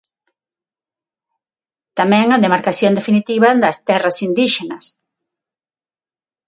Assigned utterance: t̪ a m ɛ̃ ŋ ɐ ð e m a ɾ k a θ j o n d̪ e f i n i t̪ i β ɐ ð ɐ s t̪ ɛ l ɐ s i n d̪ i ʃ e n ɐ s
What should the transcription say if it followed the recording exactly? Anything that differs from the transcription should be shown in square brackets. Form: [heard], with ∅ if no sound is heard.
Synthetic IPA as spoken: t̪ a m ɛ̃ ŋ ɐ ð e m a ɾ k a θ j o n d̪ e f i n i t̪ i β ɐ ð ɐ s t̪ ɛ [r] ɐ s i n d̪ i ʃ e n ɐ s